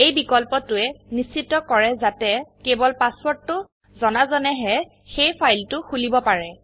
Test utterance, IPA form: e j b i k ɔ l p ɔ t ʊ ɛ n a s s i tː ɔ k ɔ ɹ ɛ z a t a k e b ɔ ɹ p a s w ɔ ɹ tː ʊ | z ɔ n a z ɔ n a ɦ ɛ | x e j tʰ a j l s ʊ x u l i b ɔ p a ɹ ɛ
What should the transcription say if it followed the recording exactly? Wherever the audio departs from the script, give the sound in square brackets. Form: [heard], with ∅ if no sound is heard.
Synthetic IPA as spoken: e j b i k ɔ l p ɔ t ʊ ɛ n [i] s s i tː ɔ k ɔ ɹ ɛ z a t [ɛ] k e b ɔ [l] p a s w ɔ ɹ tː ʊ | z ɔ n a z ɔ n [ɛ] ɦ ɛ | x e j [pʰ] a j l [t] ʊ x u l i b ɔ p a ɹ ɛ

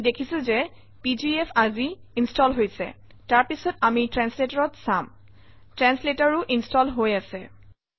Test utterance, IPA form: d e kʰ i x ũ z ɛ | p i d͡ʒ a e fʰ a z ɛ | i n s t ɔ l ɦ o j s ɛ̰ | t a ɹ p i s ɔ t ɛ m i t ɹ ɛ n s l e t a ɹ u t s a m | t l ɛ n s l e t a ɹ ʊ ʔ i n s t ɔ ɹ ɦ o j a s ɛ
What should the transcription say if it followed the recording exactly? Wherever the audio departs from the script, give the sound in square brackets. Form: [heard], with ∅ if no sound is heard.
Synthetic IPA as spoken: d e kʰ i [s] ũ z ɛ | p i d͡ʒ [i] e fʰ a z [i] | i n s t ɔ l ɦ o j s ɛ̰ | t a ɹ p i s ɔ t [a] m i t ɹ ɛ n s l e t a ɹ [ɔ] t s a m | t [ɹ] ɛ n s l e t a ɹ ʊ ʔ i n s t ɔ [l] ɦ o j a s ɛ

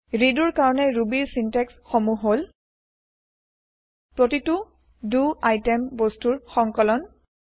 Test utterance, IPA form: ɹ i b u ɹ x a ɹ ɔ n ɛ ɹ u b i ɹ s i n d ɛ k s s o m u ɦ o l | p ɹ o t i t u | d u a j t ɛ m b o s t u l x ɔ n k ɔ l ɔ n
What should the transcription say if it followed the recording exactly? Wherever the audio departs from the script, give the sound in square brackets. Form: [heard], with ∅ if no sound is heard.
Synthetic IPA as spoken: ɹ i [d] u ɹ [k] a ɹ ɔ n ɛ ɹ u b i ɹ s i n [t] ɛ k s [x] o m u ɦ o l | p ɹ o t i t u | d u a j t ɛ m b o s t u [ɹ] x ɔ [ŋ] k ɔ l ɔ n

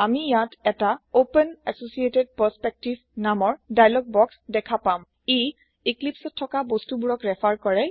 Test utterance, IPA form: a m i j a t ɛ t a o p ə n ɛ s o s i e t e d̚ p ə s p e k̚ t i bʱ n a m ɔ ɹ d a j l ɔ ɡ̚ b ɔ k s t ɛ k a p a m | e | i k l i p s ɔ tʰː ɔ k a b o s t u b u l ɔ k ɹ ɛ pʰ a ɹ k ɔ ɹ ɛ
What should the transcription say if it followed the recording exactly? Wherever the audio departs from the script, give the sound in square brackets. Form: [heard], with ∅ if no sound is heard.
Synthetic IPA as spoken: a m i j a t ɛ t a o p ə n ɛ s o s i e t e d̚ p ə s p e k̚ t i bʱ n a m ɔ ɹ d a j l ɔ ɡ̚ b ɔ k s [d] ɛ [kʰ] a p a m | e | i k l i p s ɔ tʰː ɔ k a b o s t u b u [ɹ] ɔ k ɹ ɛ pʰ a ɹ k ɔ ɹ ɛ

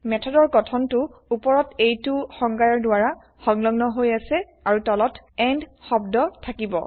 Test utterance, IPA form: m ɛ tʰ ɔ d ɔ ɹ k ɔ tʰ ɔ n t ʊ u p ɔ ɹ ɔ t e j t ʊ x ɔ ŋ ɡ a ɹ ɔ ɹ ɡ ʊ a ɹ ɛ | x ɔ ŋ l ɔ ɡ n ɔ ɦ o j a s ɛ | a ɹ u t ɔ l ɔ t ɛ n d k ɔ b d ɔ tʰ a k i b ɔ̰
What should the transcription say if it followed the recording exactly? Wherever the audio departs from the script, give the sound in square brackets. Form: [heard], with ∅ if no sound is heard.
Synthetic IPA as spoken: m ɛ tʰ ɔ d ɔ ɹ k ɔ tʰ ɔ n t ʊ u p ɔ ɹ ɔ t e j t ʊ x ɔ ŋ ɡ a ɹ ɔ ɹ [d] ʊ a ɹ [a] | x ɔ ŋ l ɔ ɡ n ɔ ɦ o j a s ɛ | a ɹ u t ɔ l ɔ t ɛ n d [x] ɔ b d ɔ tʰ a k i b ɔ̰

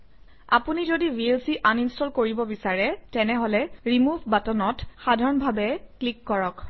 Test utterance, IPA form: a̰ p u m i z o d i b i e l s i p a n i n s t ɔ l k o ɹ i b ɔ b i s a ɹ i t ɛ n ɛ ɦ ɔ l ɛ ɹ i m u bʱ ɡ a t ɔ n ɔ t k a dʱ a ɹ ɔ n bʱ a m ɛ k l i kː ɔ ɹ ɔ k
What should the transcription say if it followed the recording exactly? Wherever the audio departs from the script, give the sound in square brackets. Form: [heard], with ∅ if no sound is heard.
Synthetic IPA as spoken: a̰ p u [n] i z o d i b i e l s i [ʔ] a n i n s t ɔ l k o ɹ i b ɔ b i s a ɹ [ɛ] t ɛ n ɛ ɦ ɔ l ɛ ɹ i m u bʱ [b] a t ɔ n ɔ t [x] a dʱ a ɹ ɔ n bʱ a [b] ɛ k l i kː ɔ ɹ ɔ k

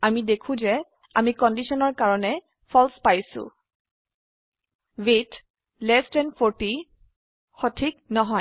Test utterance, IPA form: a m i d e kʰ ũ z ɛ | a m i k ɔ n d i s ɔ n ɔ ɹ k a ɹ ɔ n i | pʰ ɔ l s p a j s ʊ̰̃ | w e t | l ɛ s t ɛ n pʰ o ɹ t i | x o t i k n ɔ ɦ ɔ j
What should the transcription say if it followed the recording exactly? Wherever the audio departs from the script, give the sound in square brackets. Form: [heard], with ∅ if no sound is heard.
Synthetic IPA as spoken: a m i d e kʰ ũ z ɛ | a m i k ɔ n d i s ɔ n ɔ ɹ k a ɹ ɔ n [ɛ] | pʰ ɔ l s p a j s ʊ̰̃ | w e t | l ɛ s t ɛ n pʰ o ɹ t i | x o [tʰ] i k n ɔ ɦ ɔ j

